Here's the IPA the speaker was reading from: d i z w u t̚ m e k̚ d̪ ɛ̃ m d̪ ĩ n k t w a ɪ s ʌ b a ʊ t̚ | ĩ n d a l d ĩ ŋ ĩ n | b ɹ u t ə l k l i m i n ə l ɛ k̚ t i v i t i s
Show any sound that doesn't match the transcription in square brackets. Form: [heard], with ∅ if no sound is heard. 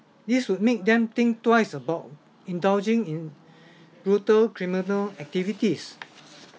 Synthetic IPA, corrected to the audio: d i [s] w u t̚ m e k̚ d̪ ɛ̃ m [t̪] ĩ [ŋ] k t w a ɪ s [ə] b a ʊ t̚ | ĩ n d a l [d͡ʒ] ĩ ŋ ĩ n | b ɹ u t ə l k [ɹ] i m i n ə l ɛ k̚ t i v i t i s